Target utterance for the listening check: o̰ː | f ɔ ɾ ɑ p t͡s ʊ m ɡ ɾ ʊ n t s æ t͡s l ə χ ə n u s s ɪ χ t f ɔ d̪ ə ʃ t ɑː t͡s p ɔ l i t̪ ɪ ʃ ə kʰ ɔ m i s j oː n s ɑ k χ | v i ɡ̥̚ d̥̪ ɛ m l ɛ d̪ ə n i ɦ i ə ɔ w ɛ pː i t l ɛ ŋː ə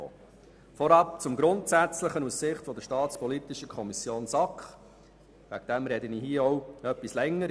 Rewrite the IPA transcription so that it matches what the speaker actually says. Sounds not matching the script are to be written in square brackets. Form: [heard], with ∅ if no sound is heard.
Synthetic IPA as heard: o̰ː | f ɔ ɾ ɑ p t͡s ʊ m ɡ ɾ ʊ n t s æ t͡s l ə χ ə n u s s ɪ χ t f ɔ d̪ ə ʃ t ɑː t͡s p ɔ l i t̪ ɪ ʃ ə kʰ ɔ m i s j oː n s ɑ k χ | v [æ] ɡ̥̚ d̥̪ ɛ m [ɾ] ɛ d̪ ə n i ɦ i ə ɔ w [œ] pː i [s] l ɛ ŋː ə

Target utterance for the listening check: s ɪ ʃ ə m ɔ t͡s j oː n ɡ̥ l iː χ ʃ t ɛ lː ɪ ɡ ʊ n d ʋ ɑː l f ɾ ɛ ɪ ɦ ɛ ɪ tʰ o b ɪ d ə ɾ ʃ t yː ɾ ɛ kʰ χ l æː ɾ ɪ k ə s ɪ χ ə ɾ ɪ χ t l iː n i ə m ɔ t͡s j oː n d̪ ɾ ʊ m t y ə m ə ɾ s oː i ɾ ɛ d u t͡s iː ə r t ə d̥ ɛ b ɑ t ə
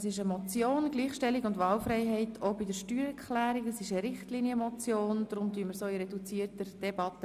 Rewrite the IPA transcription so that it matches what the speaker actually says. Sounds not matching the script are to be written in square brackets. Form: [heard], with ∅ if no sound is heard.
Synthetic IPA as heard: s ɪ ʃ ə m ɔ t͡s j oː n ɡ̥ l iː χ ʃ t ɛ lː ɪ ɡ ʊ n d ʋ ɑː l f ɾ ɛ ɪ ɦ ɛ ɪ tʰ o b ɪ d ə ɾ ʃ t yː ɾ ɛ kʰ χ l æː ɾ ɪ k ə s ɪ [ʃ] ə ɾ ɪ χ t l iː n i ə m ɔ t͡s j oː n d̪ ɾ ʊ m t y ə m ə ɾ s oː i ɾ ɛ d u t͡s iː ə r t ə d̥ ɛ b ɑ t ə

